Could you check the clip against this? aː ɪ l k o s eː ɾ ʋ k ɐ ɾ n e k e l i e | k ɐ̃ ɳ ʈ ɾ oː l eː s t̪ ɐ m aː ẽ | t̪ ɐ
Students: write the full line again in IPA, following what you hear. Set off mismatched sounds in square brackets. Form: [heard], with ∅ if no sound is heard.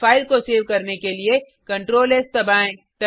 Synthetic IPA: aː ɪ l k o s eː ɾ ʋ k ɐ ɾ n e k e l i e | k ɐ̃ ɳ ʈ ɾ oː l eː s t̪ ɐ [b] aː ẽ | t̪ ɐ